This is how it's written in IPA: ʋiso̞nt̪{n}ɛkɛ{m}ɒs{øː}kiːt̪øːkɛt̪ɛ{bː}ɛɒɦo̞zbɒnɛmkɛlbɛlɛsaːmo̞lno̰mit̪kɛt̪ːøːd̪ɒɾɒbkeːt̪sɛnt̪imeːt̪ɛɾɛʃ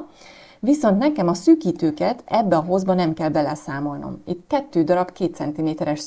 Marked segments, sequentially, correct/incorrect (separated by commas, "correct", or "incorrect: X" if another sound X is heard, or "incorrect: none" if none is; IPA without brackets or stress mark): correct, correct, incorrect: yː, correct